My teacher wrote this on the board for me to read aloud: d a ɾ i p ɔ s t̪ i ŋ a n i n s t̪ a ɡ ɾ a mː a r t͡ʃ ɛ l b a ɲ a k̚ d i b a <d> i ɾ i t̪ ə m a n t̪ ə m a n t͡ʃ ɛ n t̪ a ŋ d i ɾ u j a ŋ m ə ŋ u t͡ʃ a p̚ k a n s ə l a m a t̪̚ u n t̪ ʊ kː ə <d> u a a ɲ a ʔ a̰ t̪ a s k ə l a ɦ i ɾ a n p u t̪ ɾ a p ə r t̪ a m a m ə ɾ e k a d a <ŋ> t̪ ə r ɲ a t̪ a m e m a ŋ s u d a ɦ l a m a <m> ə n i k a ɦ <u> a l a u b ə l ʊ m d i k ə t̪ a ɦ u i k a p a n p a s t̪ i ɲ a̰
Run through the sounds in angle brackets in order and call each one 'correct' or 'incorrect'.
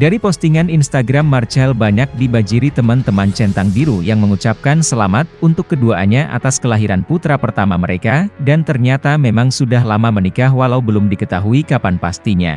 incorrect: d͡ʒ, correct, incorrect: n, correct, incorrect: w

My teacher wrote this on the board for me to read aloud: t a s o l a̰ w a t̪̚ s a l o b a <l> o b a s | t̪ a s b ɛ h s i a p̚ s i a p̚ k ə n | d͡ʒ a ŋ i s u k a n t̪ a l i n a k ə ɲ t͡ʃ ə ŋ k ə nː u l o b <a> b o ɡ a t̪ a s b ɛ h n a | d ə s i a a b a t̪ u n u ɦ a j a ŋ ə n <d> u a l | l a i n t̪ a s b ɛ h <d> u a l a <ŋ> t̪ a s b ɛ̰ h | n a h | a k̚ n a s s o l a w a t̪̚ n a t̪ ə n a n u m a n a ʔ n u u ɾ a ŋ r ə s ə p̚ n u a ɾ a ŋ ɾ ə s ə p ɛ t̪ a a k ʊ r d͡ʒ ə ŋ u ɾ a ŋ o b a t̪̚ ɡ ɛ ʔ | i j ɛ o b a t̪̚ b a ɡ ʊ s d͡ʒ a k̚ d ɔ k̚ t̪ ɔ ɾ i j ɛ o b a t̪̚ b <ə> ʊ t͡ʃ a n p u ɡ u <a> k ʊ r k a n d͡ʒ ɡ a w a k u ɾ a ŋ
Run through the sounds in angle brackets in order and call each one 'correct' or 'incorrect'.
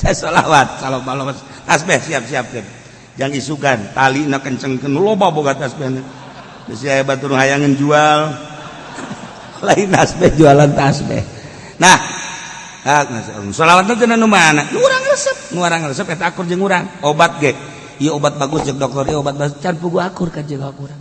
correct, correct, incorrect: d͡ʒ, incorrect: d͡ʒ, incorrect: n, incorrect: a, correct

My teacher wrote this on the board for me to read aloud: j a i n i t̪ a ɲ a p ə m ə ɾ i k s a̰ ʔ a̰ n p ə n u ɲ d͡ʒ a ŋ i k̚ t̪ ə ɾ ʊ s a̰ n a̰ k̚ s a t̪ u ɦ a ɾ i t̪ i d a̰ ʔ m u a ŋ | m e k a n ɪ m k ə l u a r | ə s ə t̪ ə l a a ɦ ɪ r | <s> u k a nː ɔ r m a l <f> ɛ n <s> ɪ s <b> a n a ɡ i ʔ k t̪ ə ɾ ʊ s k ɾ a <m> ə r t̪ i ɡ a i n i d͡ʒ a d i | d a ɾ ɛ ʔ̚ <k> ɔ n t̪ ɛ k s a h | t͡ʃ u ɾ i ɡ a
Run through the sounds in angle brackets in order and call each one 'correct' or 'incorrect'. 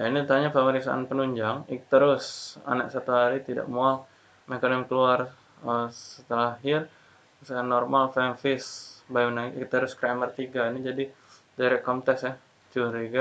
correct, correct, incorrect: f, correct, correct, correct

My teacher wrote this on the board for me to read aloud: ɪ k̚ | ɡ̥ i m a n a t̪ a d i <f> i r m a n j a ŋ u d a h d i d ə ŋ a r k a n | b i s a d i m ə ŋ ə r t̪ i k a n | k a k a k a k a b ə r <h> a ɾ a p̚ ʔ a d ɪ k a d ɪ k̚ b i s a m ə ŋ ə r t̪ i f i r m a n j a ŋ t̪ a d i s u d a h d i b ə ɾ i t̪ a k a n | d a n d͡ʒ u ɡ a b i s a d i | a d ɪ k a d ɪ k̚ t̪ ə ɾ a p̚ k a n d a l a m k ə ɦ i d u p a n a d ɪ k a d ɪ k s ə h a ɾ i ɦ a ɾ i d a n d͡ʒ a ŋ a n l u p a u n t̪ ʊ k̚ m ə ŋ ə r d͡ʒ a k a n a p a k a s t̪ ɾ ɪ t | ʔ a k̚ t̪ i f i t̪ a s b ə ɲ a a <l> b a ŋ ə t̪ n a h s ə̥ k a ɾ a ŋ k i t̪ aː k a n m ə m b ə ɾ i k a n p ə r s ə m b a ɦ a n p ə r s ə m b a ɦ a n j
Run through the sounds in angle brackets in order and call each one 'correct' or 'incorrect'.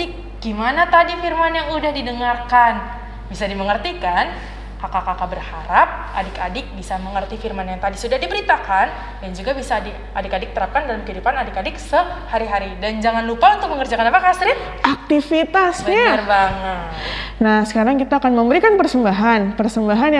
correct, correct, incorrect: r

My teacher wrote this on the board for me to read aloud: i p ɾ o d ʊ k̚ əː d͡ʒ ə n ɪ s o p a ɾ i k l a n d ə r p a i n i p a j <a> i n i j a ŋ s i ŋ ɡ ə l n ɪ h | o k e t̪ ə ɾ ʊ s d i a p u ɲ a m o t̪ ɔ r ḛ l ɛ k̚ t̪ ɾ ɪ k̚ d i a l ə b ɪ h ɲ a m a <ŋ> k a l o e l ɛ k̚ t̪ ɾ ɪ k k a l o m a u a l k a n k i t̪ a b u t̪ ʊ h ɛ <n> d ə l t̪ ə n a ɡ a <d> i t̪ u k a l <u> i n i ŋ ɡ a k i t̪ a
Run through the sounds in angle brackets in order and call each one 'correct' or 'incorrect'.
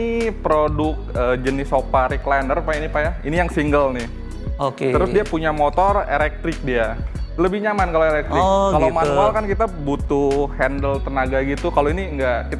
correct, incorrect: n, correct, incorrect: ɡ, incorrect: o

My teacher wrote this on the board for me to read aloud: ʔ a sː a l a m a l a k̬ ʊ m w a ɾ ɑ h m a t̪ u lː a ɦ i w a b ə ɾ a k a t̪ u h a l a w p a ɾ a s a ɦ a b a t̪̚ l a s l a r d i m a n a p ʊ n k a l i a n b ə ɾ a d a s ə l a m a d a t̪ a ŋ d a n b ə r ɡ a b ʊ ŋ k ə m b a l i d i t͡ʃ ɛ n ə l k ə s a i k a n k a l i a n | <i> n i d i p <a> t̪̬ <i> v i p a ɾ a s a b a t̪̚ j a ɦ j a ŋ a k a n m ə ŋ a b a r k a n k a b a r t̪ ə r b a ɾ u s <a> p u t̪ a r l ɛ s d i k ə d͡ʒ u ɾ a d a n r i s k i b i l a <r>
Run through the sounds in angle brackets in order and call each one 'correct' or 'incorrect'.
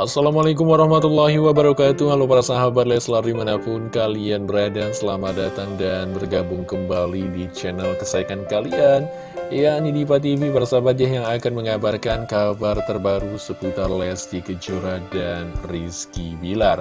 incorrect: a, correct, correct, incorrect: ə, correct

